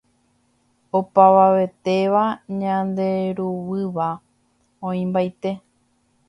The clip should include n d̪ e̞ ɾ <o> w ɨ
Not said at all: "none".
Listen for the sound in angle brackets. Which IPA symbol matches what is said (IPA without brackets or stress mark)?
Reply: u